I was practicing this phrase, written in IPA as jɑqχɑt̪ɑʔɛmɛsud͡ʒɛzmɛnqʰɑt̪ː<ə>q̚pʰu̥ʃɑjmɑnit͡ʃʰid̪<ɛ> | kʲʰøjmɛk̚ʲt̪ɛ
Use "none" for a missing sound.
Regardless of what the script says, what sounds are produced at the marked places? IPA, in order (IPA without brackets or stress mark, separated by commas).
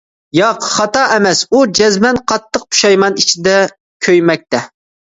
ə, ɛ